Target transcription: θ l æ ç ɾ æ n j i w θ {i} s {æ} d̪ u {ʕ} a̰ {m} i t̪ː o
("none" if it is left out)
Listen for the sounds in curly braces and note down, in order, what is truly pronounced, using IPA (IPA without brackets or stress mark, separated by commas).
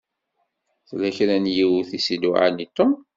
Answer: i, i, ʕ, n